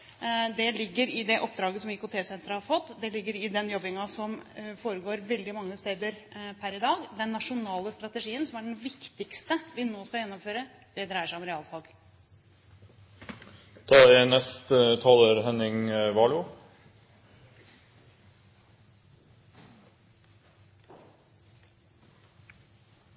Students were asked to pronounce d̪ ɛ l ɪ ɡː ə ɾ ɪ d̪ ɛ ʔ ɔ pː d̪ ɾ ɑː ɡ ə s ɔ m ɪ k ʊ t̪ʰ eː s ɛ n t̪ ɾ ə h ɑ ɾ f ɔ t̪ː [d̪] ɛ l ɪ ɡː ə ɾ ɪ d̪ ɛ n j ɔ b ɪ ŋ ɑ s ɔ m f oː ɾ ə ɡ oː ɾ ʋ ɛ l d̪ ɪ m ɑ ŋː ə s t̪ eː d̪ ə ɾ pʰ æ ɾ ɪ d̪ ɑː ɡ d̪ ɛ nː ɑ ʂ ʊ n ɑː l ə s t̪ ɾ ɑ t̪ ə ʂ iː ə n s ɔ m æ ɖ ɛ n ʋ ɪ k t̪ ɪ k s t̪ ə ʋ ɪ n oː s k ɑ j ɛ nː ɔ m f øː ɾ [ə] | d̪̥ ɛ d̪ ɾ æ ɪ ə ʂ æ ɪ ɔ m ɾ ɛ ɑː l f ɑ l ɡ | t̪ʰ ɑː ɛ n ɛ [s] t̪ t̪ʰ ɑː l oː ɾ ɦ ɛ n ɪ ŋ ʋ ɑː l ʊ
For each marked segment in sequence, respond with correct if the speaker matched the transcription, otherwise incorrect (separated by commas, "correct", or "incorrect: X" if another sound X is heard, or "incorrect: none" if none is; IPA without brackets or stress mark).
correct, correct, correct